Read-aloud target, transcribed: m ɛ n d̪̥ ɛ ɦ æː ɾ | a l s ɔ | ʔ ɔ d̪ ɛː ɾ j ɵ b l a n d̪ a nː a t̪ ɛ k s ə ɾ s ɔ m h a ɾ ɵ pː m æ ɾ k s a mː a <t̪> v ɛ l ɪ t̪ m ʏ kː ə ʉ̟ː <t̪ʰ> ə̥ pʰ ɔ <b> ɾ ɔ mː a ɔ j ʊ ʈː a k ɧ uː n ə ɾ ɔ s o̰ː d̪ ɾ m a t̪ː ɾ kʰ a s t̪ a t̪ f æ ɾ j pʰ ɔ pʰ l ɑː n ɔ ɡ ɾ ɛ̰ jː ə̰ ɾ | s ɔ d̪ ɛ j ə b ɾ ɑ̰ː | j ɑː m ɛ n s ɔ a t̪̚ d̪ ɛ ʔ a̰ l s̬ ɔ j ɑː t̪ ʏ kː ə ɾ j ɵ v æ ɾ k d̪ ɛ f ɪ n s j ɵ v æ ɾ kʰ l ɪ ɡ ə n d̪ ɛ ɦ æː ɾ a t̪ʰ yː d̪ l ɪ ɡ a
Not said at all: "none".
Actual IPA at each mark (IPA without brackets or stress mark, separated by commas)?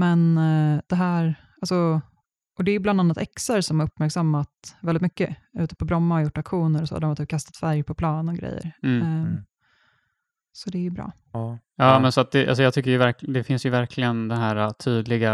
t̪, t̪, b